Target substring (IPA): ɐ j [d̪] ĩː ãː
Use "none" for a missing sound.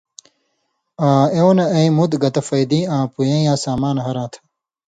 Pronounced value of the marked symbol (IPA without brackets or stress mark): d̪